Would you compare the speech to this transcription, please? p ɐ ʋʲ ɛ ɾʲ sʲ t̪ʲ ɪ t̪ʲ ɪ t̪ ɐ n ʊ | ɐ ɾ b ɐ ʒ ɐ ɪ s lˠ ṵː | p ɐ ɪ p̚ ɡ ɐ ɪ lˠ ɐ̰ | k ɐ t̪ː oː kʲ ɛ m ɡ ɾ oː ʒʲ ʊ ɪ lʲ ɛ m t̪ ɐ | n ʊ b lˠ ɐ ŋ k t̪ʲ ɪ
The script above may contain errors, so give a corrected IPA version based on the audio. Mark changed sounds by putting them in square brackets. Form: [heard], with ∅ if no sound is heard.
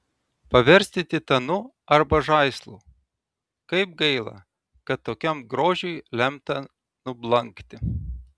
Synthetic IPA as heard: p ɐ ʋʲ ɛ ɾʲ sʲ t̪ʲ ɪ t̪ʲ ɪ t̪ ɐ n ʊ | ɐ ɾ b ɐ ʒ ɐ ɪ s lˠ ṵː | [k] ɐ ɪ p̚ ɡ ɐ ɪ lˠ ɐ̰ | k ɐ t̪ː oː kʲ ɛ m ɡ ɾ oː ʒʲ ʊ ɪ lʲ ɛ m t̪ ɐ | n ʊ b lˠ ɐ ŋ k t̪ʲ ɪ